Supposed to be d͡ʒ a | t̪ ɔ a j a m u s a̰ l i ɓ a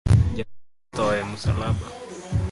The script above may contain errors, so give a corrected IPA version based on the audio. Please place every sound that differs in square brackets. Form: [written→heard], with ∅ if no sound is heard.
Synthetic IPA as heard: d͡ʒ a | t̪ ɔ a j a m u s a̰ l [i→a] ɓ a